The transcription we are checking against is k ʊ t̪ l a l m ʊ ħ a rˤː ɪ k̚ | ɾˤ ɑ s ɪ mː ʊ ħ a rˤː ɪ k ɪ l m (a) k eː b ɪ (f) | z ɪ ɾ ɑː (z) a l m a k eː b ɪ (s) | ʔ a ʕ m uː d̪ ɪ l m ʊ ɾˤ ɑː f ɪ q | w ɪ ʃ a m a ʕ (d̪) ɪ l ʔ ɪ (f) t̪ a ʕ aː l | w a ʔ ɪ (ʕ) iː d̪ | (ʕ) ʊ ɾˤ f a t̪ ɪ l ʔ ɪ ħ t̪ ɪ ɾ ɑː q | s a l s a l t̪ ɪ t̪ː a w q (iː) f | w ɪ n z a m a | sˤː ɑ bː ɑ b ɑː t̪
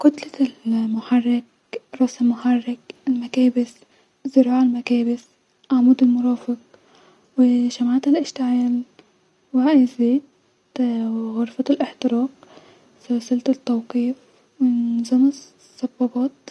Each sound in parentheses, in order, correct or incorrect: correct, incorrect, incorrect, correct, incorrect, incorrect, incorrect, incorrect, correct

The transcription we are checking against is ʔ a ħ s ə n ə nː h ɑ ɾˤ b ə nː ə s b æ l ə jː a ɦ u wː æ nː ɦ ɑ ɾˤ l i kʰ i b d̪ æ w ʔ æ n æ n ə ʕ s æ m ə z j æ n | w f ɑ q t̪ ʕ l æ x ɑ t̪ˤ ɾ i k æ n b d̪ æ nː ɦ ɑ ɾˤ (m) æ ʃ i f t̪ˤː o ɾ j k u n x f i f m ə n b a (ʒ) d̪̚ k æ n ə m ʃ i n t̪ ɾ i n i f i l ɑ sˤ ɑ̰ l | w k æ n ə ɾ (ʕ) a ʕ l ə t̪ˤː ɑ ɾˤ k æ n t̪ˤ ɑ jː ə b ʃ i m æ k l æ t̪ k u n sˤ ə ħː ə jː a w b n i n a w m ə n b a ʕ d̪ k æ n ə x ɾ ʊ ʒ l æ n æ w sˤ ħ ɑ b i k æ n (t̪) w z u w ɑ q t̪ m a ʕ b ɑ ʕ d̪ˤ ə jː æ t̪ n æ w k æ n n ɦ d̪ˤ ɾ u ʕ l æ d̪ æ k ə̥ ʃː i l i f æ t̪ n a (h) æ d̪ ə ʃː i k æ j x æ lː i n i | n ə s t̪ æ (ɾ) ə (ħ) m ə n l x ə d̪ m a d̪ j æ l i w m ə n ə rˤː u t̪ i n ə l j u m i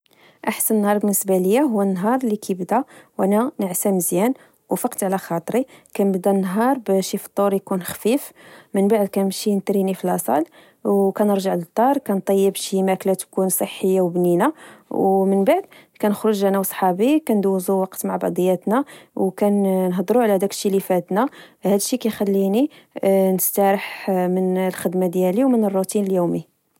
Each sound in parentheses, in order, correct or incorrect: incorrect, incorrect, incorrect, incorrect, correct, correct, correct

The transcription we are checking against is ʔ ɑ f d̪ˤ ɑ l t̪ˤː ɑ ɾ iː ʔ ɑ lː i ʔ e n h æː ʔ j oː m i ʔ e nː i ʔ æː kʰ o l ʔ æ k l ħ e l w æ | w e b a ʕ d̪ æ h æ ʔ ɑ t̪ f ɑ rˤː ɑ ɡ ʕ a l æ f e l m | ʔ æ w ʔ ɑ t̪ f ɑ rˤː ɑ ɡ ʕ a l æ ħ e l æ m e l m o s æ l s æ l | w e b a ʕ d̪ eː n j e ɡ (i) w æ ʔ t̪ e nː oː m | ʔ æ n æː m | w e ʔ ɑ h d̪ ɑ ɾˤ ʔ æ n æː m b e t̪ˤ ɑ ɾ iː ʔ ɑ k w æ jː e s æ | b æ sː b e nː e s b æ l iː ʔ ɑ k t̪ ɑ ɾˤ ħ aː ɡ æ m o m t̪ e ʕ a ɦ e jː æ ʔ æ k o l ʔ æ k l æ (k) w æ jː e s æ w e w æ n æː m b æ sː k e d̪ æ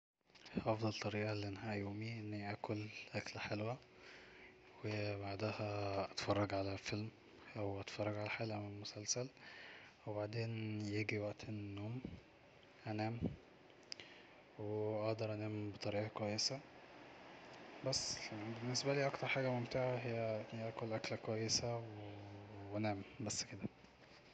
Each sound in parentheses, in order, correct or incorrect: correct, correct

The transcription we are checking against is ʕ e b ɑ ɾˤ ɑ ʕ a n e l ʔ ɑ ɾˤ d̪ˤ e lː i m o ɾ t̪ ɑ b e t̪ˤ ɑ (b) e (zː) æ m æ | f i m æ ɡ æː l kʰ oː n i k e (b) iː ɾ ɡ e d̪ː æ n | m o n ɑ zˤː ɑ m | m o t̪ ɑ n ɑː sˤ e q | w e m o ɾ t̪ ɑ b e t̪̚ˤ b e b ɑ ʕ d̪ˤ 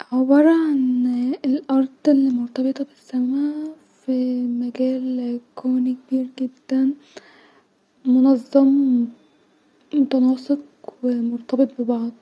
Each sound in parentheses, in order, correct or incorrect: correct, incorrect, correct

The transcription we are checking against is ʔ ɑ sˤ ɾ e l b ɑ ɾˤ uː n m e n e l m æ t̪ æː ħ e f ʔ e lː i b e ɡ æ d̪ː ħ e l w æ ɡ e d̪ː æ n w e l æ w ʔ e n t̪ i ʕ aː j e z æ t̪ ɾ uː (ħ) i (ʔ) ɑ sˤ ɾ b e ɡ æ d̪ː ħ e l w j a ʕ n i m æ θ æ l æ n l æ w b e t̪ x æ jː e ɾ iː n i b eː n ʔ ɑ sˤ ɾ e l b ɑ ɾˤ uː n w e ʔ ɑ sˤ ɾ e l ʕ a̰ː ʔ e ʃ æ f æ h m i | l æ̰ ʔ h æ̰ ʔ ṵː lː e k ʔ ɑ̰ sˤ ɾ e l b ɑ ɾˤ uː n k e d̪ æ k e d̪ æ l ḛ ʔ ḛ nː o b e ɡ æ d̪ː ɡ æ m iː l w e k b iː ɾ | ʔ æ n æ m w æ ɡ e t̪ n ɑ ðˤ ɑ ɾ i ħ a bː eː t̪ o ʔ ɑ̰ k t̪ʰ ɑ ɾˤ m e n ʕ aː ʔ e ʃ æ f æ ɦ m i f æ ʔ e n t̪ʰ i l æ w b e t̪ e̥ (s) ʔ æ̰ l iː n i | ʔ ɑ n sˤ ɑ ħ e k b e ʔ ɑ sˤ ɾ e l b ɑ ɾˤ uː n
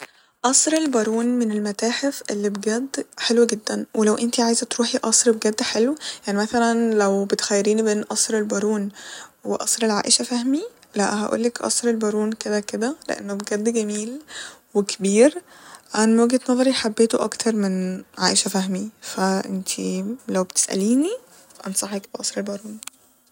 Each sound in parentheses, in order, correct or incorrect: correct, correct, correct

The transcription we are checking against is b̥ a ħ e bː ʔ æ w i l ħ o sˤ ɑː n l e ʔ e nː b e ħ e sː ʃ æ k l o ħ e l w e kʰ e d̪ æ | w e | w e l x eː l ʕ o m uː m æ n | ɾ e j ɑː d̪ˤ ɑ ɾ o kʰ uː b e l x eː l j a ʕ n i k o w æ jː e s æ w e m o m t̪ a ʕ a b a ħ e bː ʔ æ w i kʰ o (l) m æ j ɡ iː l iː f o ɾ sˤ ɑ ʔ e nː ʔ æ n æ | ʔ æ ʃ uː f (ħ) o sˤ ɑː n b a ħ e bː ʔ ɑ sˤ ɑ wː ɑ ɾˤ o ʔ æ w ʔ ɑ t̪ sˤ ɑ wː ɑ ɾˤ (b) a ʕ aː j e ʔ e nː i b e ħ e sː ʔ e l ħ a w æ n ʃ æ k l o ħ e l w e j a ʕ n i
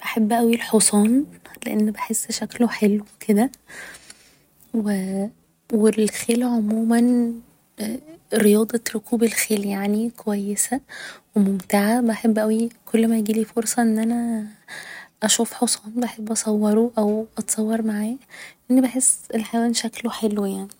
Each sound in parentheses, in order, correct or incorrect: incorrect, correct, incorrect

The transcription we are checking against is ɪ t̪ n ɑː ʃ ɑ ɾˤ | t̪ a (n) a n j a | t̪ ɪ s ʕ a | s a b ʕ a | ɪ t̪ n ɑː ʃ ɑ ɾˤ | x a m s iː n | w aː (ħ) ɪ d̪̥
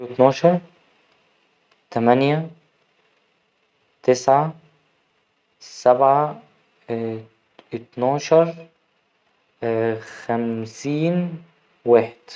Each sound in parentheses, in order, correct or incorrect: incorrect, correct

